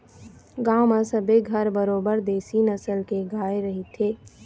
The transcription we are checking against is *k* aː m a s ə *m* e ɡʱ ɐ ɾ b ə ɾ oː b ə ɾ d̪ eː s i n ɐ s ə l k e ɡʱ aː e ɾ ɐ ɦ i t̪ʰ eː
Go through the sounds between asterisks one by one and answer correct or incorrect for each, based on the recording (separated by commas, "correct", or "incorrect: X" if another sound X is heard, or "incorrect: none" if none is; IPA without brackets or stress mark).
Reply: incorrect: ɡ, incorrect: b